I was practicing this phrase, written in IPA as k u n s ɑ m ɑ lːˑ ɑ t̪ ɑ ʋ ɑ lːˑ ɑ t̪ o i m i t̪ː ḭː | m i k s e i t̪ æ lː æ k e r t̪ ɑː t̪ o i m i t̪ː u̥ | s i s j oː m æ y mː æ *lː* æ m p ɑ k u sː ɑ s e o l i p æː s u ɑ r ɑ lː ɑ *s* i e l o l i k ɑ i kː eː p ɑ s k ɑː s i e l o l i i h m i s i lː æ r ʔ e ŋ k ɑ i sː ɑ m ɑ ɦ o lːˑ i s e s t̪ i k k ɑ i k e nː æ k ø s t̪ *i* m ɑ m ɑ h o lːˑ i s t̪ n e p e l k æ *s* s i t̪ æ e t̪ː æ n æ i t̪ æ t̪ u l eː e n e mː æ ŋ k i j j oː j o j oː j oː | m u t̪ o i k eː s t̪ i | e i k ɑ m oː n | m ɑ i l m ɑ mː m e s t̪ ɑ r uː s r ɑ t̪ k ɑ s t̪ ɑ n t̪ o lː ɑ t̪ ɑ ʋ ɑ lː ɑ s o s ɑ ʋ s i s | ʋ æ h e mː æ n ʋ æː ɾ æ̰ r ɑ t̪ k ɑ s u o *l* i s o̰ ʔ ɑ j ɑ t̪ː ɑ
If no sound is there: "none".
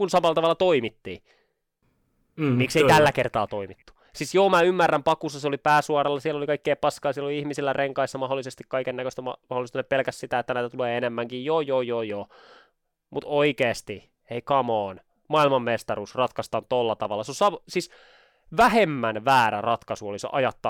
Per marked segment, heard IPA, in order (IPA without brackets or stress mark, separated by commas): rː, s, æ, s, l